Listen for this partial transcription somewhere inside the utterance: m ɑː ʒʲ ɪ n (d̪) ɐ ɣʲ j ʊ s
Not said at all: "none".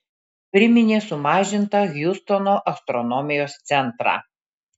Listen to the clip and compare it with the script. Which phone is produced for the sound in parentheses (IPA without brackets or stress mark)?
t̪